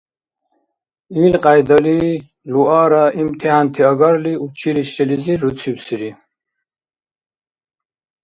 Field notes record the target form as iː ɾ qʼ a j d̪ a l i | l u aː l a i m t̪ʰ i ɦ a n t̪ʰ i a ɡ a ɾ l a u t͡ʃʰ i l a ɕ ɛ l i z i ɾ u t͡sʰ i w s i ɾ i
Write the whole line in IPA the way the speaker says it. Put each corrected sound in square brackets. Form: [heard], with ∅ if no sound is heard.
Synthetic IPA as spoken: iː [l] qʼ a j d̪ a l i | l u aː [ɾ] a i m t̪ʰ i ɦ a n t̪ʰ i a ɡ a ɾ l [i] u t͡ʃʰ i l [i] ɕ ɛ l i z i ɾ u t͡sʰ i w s i ɾ i